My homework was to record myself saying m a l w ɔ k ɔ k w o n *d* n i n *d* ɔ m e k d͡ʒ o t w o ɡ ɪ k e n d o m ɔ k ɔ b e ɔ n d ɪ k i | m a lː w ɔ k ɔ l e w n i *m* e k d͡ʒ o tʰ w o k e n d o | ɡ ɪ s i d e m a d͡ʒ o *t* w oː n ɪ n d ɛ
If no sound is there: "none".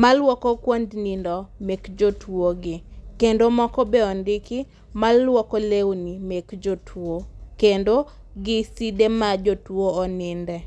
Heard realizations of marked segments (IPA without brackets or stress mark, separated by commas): d, d, m, t